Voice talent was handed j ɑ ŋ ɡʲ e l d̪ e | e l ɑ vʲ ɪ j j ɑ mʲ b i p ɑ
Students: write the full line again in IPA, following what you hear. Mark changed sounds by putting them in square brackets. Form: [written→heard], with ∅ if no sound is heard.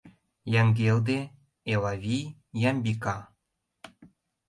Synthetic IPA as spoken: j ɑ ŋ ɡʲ e l d̪ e | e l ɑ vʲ [ɪ→i] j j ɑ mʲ b i [p→k] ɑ